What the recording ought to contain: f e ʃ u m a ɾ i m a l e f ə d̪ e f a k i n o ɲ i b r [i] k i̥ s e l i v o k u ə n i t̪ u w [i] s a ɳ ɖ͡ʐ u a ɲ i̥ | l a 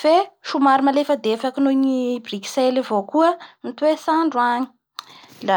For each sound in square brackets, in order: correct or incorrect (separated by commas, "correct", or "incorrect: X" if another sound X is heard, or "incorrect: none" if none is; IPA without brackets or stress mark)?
correct, incorrect: e